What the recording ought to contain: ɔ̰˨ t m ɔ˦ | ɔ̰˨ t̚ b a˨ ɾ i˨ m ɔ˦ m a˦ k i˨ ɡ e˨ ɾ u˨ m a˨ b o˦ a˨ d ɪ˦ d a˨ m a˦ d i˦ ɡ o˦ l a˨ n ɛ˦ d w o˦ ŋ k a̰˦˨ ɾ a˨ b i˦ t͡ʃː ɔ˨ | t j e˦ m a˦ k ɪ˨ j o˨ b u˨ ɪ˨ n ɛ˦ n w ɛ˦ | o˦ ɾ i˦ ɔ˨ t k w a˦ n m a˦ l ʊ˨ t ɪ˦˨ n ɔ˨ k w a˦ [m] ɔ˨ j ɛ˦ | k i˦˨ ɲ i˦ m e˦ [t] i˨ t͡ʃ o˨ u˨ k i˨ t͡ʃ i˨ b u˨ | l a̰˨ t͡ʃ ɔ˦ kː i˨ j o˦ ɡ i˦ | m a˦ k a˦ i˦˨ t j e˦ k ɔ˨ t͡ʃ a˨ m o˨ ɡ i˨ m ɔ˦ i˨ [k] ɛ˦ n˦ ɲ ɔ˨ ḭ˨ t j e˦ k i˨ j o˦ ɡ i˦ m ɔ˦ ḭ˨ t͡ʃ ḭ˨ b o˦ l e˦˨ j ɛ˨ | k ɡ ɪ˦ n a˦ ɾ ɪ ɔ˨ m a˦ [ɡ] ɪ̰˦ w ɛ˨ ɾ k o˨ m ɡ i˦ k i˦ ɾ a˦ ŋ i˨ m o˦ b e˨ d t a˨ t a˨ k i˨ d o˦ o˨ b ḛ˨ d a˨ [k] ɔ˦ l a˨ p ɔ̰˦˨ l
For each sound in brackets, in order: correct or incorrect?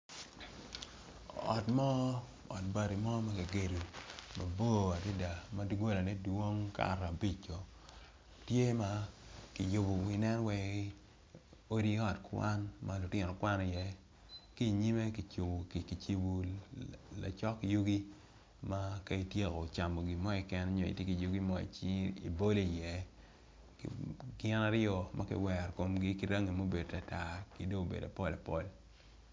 incorrect: n, incorrect: k, correct, incorrect: k, incorrect: p

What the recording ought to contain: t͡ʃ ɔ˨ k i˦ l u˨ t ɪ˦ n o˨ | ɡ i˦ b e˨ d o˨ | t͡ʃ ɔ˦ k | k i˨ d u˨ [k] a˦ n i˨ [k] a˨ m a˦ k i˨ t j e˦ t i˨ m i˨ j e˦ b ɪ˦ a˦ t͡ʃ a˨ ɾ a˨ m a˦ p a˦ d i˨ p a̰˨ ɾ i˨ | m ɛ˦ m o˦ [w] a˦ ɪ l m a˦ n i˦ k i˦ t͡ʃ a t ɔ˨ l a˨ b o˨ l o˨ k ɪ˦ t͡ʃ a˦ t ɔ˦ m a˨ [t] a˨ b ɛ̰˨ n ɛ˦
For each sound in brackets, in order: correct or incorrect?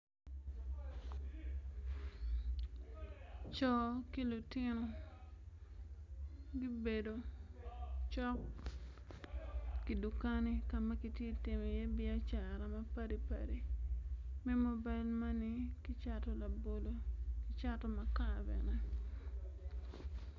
correct, correct, incorrect: b, incorrect: k

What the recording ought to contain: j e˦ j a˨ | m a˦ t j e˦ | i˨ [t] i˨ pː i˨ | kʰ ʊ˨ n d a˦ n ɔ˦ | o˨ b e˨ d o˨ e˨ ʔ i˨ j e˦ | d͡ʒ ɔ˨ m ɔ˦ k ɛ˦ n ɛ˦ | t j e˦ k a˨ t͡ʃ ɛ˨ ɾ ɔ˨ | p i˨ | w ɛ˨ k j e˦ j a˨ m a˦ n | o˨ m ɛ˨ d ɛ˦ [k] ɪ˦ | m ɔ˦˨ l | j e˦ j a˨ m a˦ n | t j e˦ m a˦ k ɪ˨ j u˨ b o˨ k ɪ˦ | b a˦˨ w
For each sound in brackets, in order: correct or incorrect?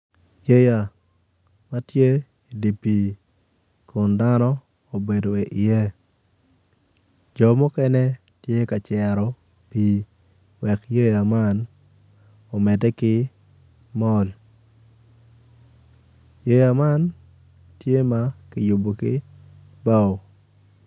incorrect: d, correct

